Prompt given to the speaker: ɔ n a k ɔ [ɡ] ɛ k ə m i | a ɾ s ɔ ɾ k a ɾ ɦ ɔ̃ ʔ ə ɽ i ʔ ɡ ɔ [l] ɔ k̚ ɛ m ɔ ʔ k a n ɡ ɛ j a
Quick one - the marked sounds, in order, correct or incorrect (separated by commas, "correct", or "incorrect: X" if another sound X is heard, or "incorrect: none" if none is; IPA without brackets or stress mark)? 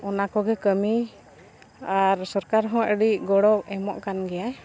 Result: correct, incorrect: ɽ